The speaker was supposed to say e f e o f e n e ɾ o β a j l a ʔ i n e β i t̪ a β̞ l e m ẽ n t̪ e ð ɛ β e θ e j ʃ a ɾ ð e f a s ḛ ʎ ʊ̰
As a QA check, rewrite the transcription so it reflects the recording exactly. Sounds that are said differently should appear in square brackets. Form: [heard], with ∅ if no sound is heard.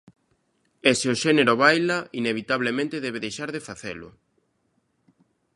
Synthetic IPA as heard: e [s] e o [ʃ] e n e ɾ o β a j l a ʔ i n e β i t̪ a β̞ l e m ẽ n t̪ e ð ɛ β e [ð] e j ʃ a ɾ ð e f a [θ] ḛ [l] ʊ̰